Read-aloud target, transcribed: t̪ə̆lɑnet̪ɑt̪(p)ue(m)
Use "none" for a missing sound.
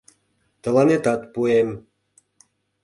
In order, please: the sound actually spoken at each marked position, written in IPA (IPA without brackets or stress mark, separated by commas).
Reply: p, m